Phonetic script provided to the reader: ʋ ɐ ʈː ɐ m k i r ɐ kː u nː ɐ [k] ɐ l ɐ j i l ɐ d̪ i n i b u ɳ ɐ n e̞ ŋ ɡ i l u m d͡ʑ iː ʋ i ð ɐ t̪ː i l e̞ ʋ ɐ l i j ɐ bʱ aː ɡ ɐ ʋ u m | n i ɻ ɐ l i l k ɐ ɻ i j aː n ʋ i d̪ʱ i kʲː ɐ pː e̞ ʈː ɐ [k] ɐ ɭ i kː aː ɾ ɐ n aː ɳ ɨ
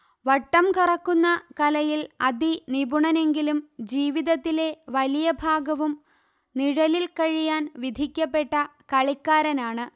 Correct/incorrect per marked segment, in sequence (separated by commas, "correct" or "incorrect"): correct, correct